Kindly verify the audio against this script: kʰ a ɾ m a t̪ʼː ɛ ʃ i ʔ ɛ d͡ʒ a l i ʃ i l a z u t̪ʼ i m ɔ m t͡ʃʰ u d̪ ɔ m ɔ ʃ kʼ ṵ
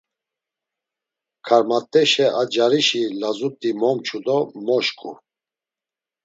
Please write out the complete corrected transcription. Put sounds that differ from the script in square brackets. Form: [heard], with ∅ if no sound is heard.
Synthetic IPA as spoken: kʰ a ɾ m a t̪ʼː ɛ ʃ [ɛ] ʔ [a] d͡ʒ a [ɾ] i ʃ i l a z u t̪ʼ i m ɔ m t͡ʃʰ u d̪ ɔ m ɔ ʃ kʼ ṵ